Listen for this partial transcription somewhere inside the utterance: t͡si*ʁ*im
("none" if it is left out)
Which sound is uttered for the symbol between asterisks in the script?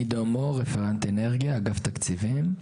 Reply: v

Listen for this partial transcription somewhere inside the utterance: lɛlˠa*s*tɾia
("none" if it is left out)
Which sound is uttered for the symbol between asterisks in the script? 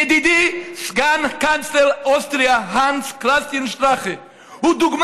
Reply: s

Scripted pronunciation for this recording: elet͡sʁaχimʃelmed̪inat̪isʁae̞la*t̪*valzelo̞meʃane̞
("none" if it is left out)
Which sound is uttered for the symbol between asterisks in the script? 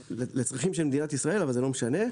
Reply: none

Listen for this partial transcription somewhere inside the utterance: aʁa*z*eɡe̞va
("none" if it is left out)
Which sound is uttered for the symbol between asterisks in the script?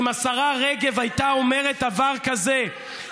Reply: ʁ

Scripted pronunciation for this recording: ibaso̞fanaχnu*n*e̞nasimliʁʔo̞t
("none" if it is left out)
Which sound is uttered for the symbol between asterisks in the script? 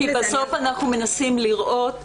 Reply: m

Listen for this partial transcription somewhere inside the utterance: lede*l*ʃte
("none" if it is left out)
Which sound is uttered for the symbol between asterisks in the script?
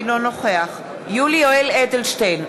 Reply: l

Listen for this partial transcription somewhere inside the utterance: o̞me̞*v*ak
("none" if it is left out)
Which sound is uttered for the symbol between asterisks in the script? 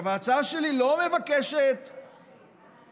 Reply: v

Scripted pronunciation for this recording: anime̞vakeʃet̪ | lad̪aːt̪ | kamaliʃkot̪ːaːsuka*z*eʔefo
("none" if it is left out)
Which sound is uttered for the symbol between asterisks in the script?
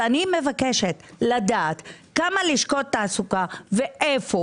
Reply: v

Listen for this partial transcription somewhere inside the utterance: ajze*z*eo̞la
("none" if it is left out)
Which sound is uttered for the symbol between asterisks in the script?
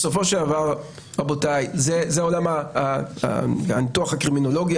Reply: z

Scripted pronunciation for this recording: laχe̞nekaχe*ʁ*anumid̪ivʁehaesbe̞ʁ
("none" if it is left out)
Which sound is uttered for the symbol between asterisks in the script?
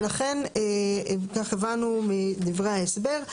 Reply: v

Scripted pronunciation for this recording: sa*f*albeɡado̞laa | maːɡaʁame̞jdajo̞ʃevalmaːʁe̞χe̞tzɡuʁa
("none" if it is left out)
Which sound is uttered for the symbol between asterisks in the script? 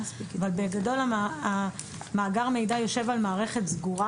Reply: v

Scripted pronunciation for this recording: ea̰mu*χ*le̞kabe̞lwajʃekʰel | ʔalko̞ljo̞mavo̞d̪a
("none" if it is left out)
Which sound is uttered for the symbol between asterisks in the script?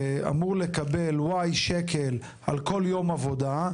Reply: ʁ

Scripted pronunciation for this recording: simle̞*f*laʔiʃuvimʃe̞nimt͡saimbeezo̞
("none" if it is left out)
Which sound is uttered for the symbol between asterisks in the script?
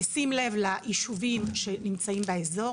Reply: v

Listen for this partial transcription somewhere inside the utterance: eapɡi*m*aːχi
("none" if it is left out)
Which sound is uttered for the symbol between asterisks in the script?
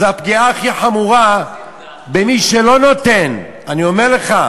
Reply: none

